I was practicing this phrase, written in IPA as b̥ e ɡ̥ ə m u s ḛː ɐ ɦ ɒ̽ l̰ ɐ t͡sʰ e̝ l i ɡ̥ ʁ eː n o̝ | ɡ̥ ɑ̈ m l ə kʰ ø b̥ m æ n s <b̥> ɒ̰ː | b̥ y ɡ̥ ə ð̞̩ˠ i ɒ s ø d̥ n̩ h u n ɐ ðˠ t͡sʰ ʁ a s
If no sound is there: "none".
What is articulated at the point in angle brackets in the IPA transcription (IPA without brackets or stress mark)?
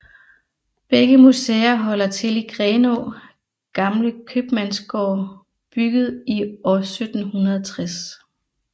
ɡ̥